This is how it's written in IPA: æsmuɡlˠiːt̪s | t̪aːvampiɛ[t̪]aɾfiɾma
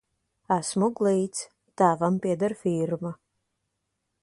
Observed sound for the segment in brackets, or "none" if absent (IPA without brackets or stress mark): d̪